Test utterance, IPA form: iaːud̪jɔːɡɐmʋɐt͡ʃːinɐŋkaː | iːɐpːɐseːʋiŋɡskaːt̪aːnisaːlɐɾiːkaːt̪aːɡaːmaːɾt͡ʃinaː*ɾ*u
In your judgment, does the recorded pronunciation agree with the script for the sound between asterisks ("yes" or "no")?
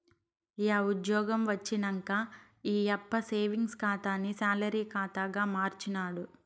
no